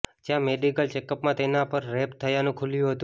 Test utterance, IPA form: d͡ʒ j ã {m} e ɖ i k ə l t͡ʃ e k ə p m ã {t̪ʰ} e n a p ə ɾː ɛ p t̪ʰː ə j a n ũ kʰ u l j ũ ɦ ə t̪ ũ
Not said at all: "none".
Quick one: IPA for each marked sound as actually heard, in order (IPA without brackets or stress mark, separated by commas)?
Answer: m, t̪